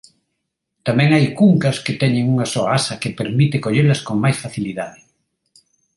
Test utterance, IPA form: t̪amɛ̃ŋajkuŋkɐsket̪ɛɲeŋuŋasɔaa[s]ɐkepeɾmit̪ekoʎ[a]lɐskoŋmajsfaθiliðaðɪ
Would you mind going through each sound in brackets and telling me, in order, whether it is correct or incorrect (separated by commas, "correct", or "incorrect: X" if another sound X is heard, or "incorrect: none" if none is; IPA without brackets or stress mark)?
correct, incorrect: e